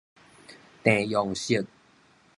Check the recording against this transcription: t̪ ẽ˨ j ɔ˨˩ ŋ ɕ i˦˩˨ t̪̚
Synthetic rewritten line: t̪ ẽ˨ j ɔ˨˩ ŋ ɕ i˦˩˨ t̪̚